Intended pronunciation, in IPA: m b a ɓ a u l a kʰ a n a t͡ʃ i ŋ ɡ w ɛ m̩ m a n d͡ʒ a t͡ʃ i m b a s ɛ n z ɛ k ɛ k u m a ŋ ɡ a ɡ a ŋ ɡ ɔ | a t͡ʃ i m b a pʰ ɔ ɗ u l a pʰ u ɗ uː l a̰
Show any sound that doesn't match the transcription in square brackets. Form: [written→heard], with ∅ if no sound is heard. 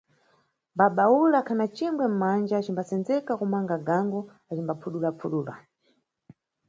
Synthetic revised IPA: m b a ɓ a u l a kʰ a n a t͡ʃ i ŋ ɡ w ɛ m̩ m a n d͡ʒ a t͡ʃ i m b a s ɛ n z ɛ k [ɛ→a] k u m a ŋ ɡ a ɡ a ŋ ɡ ɔ | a t͡ʃ i m b a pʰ [ɔ→u] ɗ u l a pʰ u ɗ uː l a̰